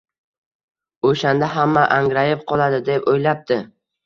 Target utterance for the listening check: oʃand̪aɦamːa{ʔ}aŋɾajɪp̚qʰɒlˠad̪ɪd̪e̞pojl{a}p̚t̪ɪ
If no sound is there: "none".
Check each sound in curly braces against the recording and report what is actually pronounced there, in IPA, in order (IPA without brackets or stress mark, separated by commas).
ʔ, a